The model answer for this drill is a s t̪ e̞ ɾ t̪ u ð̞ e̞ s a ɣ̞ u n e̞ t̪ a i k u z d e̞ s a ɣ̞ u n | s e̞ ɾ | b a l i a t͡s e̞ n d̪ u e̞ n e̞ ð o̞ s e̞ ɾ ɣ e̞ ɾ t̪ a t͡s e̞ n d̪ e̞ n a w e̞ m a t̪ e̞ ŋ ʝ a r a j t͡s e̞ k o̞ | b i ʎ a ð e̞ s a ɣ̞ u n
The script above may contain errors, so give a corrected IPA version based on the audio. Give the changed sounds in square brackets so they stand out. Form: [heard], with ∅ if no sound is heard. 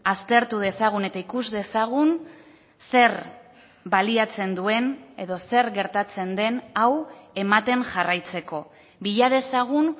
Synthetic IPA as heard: a s t̪ e̞ ɾ t̪ u ð̞ e̞ s a ɣ̞ u n e̞ t̪ a i k u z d e̞ s a ɣ̞ u n | s e̞ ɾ | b a l i a t͡s e̞ n d̪ u e̞ n e̞ ð o̞ s e̞ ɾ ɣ e̞ ɾ t̪ a t͡s e̞ n d̪ e̞ n a w e̞ m a t̪ e̞ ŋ ʝ a r a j t͡s e̞ k o̞ | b i ʎ a ð e̞ s a ɣ̞ u n